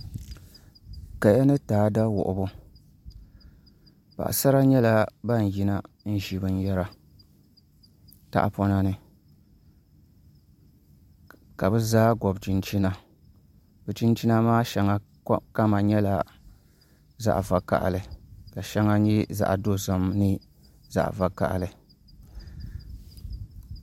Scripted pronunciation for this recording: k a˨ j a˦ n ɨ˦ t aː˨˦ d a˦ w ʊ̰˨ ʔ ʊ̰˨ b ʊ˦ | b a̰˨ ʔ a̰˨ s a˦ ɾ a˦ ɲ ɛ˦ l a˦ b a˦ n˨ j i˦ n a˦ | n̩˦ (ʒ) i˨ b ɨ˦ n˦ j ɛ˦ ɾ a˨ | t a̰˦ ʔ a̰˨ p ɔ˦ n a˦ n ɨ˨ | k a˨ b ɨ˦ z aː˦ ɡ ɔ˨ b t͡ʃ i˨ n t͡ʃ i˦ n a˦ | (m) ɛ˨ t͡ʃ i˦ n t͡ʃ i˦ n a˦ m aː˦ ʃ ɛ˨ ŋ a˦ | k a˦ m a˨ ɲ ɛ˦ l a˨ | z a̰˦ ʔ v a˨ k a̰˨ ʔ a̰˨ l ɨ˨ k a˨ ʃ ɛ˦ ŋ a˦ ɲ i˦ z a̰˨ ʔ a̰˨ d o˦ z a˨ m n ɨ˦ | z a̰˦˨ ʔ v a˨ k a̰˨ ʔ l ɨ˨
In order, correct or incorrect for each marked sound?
correct, incorrect: b

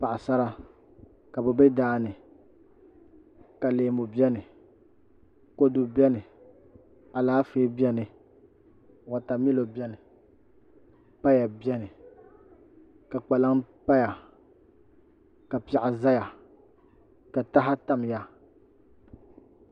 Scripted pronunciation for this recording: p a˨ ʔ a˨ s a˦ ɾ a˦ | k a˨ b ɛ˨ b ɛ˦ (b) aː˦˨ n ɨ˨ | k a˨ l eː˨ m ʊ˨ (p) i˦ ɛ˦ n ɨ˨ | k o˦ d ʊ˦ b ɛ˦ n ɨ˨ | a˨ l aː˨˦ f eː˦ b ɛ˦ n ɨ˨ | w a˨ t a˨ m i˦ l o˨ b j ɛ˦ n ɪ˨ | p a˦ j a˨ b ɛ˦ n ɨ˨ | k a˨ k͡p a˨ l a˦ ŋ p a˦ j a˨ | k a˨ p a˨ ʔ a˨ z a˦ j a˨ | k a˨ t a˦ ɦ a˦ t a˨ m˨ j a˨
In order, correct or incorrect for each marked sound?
incorrect: d, incorrect: b

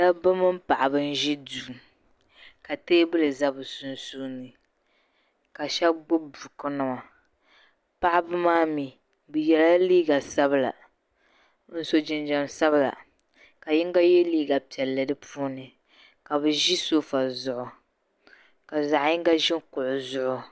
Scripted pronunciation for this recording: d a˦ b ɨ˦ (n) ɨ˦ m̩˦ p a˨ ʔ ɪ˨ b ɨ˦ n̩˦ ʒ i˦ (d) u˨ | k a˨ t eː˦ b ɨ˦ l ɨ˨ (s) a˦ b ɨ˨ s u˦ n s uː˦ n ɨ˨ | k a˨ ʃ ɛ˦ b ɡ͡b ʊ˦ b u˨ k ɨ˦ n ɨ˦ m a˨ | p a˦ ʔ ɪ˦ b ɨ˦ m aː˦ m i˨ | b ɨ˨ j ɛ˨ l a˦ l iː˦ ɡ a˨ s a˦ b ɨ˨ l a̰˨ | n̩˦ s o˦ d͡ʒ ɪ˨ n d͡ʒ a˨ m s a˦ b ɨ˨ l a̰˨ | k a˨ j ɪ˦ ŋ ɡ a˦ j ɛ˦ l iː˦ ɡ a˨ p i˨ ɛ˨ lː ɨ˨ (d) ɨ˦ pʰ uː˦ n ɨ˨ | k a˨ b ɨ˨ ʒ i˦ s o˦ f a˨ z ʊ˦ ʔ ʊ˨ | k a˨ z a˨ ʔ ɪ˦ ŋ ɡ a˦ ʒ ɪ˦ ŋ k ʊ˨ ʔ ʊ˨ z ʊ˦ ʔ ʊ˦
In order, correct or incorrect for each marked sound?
incorrect: m, correct, incorrect: z, correct

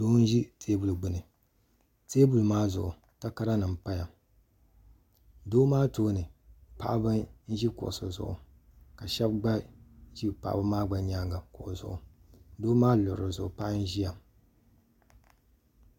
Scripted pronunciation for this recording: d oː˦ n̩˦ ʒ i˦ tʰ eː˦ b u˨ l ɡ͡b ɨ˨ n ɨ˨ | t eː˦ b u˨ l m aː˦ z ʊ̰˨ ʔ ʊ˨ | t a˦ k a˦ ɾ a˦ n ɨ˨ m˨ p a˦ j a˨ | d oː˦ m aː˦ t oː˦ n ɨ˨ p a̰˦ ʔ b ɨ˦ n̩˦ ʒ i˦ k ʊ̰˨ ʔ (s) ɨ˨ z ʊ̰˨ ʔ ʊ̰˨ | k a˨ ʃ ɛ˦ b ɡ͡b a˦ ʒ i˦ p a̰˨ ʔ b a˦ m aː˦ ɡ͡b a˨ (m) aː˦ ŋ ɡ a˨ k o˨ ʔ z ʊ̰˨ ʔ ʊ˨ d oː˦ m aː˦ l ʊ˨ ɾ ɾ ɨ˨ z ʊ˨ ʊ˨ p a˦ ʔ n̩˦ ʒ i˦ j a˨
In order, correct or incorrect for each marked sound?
correct, incorrect: ɲ

